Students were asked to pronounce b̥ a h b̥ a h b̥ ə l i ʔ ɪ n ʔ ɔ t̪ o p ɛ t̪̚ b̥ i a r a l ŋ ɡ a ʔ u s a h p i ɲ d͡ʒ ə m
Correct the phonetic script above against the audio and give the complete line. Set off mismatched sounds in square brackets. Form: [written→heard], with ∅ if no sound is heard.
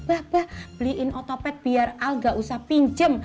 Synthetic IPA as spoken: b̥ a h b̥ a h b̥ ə l i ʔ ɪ n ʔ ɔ t̪ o p ɛ t̪̚ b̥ i a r a l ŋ ɡ a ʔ u s a h p i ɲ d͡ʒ ə m